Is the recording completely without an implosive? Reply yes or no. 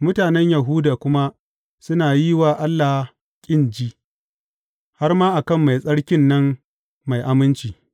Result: yes